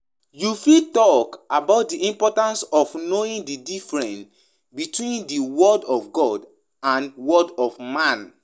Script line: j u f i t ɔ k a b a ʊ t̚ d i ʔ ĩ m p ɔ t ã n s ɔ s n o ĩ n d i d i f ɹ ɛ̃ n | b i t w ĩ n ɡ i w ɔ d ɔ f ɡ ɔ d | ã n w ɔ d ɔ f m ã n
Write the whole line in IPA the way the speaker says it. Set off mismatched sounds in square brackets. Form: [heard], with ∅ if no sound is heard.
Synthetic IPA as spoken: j u f i t ɔ k a b a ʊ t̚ d i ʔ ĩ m p ɔ t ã n s ɔ [f] n o ĩ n d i d i f ɹ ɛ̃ n | b i t w ĩ n [d] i w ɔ d ɔ f ɡ ɔ d | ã n w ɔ d ɔ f m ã n